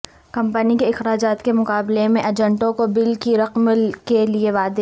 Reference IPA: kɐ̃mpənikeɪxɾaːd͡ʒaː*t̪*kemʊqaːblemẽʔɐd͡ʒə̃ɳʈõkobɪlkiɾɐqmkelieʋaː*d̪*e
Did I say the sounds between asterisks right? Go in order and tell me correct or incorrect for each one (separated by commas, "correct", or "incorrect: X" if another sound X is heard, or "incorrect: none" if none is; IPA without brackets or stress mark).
correct, correct